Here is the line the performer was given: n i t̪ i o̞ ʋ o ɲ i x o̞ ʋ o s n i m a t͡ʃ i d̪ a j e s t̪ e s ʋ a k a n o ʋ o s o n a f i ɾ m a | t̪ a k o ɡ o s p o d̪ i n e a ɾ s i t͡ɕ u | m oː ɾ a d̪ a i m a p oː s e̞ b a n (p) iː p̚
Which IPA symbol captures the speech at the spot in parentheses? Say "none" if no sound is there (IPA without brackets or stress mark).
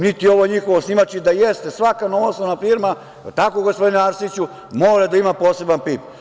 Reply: p